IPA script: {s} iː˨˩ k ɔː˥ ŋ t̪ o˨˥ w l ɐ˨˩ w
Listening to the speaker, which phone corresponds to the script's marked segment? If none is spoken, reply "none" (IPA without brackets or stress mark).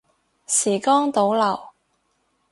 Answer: s